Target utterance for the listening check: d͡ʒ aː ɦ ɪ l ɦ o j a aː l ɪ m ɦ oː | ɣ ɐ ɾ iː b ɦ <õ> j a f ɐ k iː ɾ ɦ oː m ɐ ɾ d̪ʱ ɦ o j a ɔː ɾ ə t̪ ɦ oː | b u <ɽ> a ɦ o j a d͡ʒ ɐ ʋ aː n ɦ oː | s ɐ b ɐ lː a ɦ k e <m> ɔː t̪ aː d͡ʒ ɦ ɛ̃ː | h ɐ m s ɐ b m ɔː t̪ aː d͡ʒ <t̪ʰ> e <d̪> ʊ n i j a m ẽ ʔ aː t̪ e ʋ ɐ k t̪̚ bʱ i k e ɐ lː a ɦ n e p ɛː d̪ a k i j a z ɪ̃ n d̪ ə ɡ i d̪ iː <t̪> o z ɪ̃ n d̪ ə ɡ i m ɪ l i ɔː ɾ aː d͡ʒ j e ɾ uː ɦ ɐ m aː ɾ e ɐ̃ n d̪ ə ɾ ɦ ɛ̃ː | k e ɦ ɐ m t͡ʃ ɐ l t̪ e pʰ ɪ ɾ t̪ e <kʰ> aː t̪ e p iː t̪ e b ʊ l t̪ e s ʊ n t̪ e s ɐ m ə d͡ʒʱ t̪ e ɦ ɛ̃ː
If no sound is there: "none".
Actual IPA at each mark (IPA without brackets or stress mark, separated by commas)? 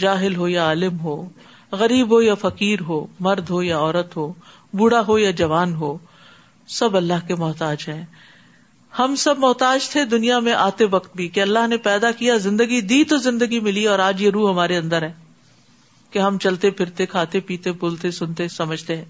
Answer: o, ɽ, m, t̪ʰ, d̪, t̪, kʰ